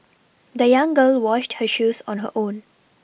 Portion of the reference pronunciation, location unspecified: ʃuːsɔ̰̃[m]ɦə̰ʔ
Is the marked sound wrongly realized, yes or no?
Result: yes